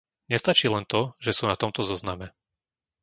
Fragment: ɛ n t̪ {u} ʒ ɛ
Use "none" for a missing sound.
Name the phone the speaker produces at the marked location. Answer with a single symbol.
ɔ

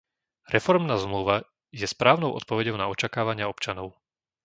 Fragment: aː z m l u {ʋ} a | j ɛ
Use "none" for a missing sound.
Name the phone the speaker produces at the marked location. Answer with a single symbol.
ʋ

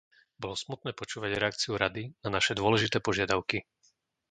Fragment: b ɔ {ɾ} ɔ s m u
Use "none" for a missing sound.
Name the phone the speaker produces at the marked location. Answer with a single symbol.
l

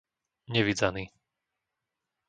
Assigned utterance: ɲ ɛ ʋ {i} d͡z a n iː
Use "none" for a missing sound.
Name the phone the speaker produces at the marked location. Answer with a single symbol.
i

